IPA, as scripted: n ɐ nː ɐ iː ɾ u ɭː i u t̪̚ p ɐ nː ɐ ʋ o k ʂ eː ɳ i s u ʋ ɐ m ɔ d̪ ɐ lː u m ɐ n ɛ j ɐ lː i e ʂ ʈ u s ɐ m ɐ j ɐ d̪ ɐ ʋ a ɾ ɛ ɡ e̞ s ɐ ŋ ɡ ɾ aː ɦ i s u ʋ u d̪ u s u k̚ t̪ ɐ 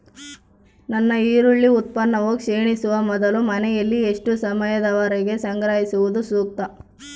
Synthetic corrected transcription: n ɐ nː ɐ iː ɾ u ɭː i u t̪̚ p ɐ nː ɐ ʋ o k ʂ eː ɳ i s u ʋ ɐ m ɔ d̪ ɐ l u m ɐ n ɛ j ɐ lː i e ʂ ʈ u s ɐ m ɐ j ɐ d̪ ɐ ʋ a ɾ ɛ ɡ e̞ s ɐ ŋ ɡ ɾ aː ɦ i s u ʋ u d̪ u s uː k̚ t̪ ɐ